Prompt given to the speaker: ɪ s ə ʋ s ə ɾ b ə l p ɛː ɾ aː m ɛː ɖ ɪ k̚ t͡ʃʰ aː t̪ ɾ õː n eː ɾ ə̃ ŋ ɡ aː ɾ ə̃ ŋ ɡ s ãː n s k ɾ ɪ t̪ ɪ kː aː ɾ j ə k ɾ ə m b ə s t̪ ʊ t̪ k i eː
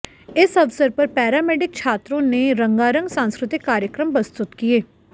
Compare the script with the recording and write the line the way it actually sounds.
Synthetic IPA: ɪ s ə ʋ s ə ɾ p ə ɾ p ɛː ɾ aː m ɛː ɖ ɪ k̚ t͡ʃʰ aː t̪ ɾ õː n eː ɾ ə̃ ŋ ɡ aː ɾ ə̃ ŋ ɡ s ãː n s k ɾ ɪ t̪ ɪ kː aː ɾ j ə k ɾ ə m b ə s t̪ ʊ t̪ k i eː